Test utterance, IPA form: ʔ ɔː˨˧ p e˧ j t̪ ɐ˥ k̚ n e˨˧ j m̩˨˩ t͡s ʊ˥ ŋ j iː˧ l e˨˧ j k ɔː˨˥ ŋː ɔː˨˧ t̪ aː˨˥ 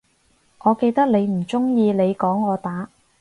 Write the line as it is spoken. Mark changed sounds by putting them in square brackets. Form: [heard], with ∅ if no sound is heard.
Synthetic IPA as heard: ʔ ɔː˨˧ [k] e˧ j t̪ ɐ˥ k̚ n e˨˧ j m̩˨˩ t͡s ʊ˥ ŋ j iː˧ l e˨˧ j k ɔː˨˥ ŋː ɔː˨˧ t̪ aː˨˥